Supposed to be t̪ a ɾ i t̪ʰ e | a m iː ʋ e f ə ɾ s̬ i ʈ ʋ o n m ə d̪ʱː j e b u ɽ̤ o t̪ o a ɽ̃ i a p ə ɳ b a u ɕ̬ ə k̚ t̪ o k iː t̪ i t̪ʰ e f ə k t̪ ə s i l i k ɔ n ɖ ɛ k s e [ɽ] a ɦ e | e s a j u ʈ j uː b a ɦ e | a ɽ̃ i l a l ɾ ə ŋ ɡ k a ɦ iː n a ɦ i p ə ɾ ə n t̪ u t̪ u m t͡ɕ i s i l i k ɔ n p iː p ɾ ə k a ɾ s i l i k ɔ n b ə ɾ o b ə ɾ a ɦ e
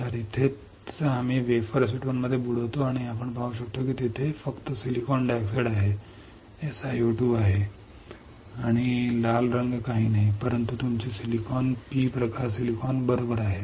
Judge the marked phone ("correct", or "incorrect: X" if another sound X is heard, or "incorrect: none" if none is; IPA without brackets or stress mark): correct